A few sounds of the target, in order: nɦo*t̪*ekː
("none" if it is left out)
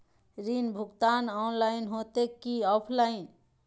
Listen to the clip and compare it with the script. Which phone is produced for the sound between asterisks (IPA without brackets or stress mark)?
t̪